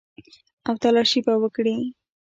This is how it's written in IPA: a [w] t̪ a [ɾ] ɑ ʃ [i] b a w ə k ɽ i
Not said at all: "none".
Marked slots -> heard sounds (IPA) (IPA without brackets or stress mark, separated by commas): w, l, i